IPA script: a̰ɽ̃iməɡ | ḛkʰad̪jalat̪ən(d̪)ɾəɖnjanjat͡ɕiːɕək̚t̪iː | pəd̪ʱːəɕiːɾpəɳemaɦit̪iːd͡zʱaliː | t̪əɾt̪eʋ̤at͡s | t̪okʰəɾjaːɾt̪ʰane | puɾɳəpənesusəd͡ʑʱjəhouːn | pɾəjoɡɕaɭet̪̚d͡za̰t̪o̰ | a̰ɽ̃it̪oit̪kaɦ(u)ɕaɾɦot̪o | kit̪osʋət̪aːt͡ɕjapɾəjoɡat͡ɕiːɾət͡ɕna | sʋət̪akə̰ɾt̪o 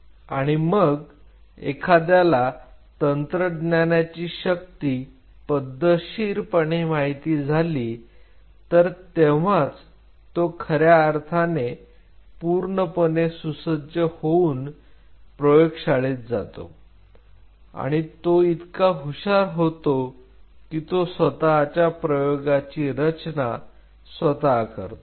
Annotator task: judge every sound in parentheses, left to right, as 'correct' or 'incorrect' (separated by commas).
incorrect, correct